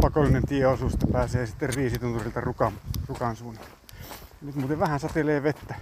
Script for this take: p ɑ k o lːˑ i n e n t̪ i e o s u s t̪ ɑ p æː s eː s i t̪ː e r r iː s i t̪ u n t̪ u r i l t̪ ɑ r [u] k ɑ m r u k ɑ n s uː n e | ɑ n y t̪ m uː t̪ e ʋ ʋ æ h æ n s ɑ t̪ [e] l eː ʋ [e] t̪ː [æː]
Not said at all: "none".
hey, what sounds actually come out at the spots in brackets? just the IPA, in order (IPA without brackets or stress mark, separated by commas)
u, e, e, æ